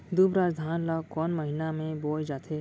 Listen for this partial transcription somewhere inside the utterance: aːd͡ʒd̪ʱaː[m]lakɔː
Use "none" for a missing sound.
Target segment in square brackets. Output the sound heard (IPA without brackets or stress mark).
n